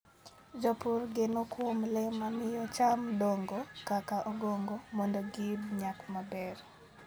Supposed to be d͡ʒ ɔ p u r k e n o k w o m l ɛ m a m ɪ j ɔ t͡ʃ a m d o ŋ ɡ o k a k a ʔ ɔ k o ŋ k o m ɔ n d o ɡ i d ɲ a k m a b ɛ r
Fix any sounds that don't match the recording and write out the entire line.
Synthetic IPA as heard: d͡ʒ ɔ p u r ɡ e n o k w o m l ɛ m a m ɪ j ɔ t͡ʃ a m d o ŋ ɡ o k a k a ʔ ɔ ɡ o ŋ ɡ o m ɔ n d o ɡ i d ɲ a k m a b ɛ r